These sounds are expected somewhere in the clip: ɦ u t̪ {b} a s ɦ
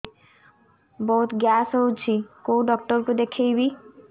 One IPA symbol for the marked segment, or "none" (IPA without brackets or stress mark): ɡ